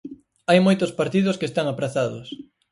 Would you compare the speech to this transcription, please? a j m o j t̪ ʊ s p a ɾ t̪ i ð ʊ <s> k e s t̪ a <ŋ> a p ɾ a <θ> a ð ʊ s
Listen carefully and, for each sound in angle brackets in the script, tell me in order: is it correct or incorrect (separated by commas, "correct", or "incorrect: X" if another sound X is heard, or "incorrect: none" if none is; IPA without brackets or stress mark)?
correct, correct, correct